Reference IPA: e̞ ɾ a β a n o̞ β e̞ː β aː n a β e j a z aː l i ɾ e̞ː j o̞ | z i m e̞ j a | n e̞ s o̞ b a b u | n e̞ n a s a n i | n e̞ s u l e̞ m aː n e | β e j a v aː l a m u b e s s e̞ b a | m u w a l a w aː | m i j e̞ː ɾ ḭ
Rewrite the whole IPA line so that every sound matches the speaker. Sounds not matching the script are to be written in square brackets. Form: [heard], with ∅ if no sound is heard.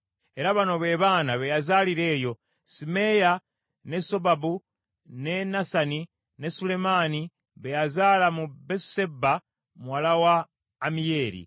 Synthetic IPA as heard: e̞ ɾ a β a n o̞ β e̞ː β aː n a β e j a z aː l i ɾ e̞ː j o̞ | [s] i m e̞ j a | n e̞ s o̞ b a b u | n e̞ n a s a n i | n e̞ s u l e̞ m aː n [i] | β e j a [z] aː l a m u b e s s e̞ b a | m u w a l a w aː | m i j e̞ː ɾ ḭ

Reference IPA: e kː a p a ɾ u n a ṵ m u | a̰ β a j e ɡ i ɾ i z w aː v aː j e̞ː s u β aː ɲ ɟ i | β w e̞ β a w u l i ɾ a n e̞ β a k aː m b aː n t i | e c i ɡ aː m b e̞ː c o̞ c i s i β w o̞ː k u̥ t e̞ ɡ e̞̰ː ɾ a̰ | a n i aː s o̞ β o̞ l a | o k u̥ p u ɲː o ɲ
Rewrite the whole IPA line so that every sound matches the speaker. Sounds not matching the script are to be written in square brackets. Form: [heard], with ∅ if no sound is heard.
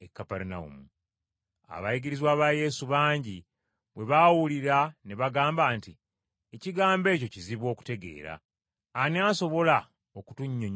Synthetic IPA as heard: e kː a p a ɾ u n a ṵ m u | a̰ β a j [i] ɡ i ɾ i z w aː [β] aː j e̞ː s u β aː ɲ ɟ i | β w e̞ β a w u l i ɾ a n e̞ β a [ɡ] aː m b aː n t i | e c i ɡ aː m b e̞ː c o̞ c i [z] i β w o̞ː k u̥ t e̞ ɡ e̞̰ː ɾ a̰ | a n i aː s o̞ β o̞ l a | o k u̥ [t] u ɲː o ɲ

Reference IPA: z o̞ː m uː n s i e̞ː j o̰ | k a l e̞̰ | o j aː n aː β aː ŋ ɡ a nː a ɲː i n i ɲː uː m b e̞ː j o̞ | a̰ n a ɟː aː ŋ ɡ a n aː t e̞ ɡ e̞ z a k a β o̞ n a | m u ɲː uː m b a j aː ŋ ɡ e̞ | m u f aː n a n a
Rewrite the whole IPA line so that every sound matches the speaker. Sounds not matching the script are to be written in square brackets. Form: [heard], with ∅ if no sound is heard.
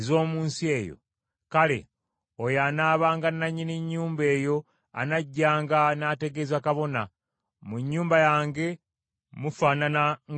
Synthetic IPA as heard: z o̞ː m uː n s i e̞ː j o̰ | k a l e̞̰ | o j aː n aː β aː ŋ ɡ a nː a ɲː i n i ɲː uː m b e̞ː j o̞ | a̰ n a ɟː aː ŋ ɡ a n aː t e̞ ɡ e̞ z a k a β o̞ n a | m u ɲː uː m b a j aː ŋ ɡ e̞ | m u f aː n a n a

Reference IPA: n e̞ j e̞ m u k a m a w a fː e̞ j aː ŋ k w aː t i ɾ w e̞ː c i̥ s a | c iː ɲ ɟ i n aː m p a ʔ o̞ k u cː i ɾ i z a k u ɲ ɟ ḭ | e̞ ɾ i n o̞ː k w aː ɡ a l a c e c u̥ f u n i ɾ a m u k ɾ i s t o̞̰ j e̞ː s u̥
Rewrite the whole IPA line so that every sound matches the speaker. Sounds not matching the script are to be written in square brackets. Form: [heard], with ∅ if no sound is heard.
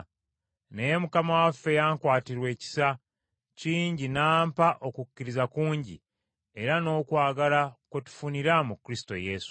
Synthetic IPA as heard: n e̞ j e̞ m u k a m a w a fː e̞ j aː ŋ k w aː t i ɾ w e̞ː c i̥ s a | c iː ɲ ɟ i n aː m p a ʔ o̞ k u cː i ɾ i z a k [uː] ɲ ɟ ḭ | e̞ ɾ [a] n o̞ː k w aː ɡ a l a [k] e [t] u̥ f u n i ɾ a m u k ɾ i s t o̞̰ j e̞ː s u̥

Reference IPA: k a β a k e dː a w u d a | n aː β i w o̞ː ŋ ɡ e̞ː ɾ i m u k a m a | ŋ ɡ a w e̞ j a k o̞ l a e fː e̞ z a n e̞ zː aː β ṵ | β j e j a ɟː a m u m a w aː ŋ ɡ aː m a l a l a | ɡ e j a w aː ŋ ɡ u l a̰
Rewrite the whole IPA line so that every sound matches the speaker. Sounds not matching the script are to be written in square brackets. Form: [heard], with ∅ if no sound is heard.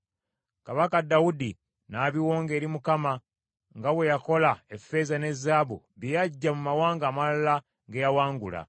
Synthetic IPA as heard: k a β a k [a] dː a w u d [i] | n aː β i w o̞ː ŋ ɡ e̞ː ɾ i m u k a m a | ŋ ɡ a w e̞ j a k o̞ l a e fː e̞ z a n e̞ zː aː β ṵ | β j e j a ɟː a m u m a w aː ŋ ɡ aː m a l a l a | ɡ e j a w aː ŋ ɡ u l a̰

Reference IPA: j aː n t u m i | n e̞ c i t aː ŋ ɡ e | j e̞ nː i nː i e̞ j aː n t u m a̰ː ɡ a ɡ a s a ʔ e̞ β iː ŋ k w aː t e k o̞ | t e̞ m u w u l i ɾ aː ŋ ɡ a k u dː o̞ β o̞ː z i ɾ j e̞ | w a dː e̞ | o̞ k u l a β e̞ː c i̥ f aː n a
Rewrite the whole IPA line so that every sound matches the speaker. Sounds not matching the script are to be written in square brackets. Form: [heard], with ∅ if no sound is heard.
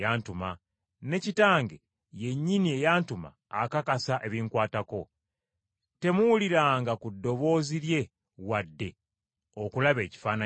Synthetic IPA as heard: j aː n t u m [a] | n e̞ c i t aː ŋ ɡ e | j e̞ [ɲː] i [n] i e̞ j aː n t u m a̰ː [k] a [k] a s a ʔ e̞ β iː ŋ k w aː t [a] k o̞ | t e̞ m u w u l i ɾ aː ŋ ɡ a k u dː o̞ β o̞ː z i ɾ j e̞ | w a dː e̞ | o̞ k u l a β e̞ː c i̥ f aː n a

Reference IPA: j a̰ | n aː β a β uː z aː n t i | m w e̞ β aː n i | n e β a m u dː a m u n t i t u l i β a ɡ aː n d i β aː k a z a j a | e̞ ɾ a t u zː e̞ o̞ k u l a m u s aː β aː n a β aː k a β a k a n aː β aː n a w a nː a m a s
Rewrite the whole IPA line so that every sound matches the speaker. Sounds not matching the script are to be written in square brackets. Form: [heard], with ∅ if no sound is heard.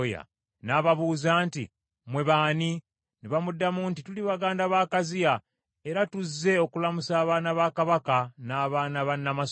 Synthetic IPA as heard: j a̰ | n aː β a β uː z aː n t i | m w e̞ β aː n i | n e β a m u dː a m u n t i t u l i β a ɡ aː n d [a] β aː k a z [i] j a | e̞ ɾ a t u zː e̞ o̞ k u l a m u s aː β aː n a β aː k a β a k a n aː β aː n a [β] a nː a m a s

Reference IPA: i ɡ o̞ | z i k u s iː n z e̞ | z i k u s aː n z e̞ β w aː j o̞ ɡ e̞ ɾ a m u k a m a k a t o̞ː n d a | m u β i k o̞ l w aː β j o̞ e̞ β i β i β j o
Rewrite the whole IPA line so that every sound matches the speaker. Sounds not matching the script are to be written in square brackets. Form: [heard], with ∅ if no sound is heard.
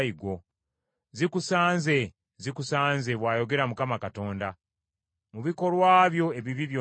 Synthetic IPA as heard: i ɡ o̞ | z i k u s [aː] n z e̞ | z i k u s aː n z e̞ β w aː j o̞ ɡ e̞ ɾ a m u k a m a k a t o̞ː n d a | m u β i k o̞ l w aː β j o̞ e̞ β i β i β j o

